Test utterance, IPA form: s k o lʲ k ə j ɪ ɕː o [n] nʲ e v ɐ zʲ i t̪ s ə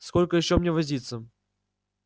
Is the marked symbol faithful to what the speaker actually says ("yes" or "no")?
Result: no